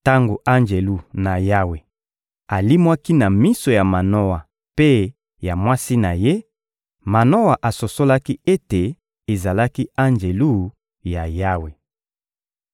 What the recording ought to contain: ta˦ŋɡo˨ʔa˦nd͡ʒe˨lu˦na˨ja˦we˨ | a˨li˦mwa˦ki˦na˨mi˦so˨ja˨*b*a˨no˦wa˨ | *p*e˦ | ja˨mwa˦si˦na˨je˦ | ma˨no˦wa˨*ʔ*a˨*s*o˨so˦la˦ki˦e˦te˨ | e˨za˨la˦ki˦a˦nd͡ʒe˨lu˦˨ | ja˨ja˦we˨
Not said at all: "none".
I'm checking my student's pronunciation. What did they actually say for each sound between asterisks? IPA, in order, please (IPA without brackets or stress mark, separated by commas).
m, p, ʔ, s